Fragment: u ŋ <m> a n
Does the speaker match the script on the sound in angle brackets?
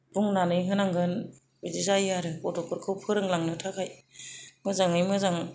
no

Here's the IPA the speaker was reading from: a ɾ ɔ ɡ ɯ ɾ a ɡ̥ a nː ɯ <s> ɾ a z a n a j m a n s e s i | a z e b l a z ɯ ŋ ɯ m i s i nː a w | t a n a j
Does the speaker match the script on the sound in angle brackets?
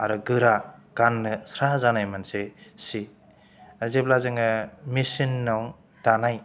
yes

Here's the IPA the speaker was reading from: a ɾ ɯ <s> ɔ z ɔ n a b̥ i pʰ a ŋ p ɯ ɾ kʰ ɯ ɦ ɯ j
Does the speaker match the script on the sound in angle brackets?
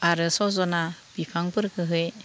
yes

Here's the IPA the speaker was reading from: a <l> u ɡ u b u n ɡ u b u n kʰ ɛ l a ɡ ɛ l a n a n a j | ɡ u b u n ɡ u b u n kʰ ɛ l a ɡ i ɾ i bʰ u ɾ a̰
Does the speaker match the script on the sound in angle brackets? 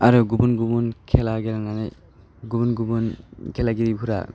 no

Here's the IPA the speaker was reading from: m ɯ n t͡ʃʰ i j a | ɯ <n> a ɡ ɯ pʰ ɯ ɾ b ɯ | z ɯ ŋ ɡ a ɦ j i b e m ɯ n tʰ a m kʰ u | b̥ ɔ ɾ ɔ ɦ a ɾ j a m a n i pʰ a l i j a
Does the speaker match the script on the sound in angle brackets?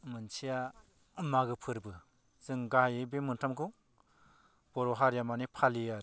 no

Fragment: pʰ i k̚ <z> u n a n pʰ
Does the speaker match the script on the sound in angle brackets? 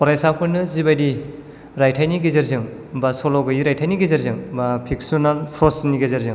no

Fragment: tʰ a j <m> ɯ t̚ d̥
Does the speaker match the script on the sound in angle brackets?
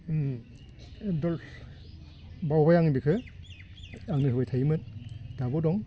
yes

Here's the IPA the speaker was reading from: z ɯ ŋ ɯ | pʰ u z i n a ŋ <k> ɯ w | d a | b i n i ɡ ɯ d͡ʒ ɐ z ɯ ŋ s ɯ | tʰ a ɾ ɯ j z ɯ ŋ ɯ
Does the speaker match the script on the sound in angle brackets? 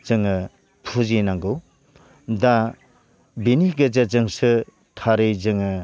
no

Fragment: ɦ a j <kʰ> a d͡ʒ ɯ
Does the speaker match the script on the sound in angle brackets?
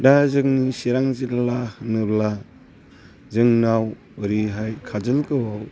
yes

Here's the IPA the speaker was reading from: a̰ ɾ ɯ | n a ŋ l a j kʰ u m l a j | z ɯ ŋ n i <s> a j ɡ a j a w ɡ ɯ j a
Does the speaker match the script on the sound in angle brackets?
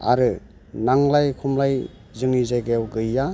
no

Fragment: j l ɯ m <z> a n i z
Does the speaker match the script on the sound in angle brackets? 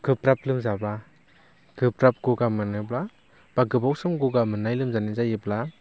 yes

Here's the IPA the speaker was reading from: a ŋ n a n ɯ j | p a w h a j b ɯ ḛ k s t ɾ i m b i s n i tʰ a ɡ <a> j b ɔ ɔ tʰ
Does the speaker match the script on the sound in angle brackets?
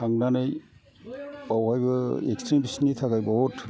yes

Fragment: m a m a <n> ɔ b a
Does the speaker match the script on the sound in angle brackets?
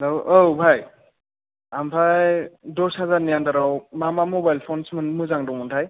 no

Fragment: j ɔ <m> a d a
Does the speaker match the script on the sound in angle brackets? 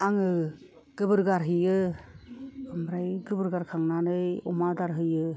yes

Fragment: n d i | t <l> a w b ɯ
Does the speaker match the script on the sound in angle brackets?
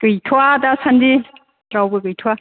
no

